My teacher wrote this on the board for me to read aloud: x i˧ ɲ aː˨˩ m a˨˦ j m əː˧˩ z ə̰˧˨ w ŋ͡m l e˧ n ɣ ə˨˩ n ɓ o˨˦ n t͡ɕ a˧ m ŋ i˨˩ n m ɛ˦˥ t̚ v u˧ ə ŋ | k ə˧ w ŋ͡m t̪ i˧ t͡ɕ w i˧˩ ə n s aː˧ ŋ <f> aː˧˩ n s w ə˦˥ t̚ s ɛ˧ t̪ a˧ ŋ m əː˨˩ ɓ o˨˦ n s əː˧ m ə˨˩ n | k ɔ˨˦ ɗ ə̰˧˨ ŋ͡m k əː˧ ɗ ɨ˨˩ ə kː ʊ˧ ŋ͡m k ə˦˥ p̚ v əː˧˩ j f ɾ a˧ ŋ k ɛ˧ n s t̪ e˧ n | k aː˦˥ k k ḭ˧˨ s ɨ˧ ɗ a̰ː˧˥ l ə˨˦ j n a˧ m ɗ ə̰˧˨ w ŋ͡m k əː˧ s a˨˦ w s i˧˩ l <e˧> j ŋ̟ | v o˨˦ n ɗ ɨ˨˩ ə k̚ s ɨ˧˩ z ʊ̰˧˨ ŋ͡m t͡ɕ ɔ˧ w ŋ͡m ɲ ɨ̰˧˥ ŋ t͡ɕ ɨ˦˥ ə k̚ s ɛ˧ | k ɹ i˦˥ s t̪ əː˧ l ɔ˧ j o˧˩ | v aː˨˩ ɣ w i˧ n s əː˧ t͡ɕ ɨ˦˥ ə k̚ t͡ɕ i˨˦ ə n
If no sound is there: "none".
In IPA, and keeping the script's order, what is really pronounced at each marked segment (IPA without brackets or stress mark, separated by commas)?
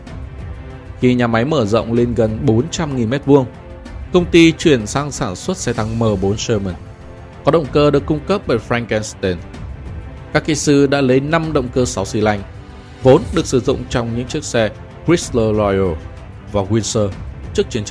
s, a˧